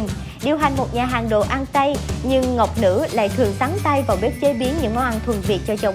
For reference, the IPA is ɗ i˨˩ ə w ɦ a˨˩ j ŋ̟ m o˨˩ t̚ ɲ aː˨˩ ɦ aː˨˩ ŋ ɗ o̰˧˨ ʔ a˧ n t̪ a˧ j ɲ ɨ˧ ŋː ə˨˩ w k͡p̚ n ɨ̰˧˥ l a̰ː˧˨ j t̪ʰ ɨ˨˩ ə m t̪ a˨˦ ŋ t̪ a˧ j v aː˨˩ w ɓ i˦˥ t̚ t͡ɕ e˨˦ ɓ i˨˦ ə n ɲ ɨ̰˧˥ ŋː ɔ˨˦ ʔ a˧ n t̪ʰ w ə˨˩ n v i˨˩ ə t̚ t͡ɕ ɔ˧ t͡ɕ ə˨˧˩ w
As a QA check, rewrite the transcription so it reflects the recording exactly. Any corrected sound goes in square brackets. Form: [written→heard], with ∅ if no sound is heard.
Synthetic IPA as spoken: ɗ i˨˩ ə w ɦ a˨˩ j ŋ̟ m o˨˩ t̚ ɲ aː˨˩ ɦ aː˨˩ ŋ ɗ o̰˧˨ ʔ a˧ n t̪ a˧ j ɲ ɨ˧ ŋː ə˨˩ w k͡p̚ n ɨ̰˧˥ l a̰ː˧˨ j t̪ʰ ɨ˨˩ ə [m→ŋ] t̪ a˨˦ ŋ t̪ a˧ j v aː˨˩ w ɓ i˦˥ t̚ t͡ɕ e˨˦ ɓ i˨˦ ə n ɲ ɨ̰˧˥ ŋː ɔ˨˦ ʔ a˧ n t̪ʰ w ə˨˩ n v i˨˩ ə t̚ t͡ɕ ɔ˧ t͡ɕ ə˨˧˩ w